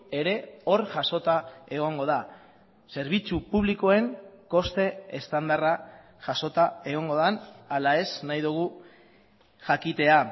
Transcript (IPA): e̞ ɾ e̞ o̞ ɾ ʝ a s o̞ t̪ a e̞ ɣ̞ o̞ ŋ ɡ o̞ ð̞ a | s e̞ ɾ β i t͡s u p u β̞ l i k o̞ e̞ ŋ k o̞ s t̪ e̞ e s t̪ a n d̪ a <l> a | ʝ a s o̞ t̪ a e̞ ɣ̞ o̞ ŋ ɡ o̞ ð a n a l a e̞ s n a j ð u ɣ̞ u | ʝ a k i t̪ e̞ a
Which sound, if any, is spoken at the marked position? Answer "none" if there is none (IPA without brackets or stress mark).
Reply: r